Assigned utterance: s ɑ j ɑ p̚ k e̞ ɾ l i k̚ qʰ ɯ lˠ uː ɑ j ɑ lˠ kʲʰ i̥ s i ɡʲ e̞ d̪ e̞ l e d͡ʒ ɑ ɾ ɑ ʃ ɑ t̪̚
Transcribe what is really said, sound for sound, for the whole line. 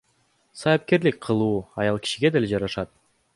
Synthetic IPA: s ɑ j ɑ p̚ k e̞ ɾ l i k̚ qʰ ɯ lˠ uː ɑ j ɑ lˠ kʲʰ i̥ ʃ i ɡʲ e̞ d̪ e̞ l e d͡ʒ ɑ ɾ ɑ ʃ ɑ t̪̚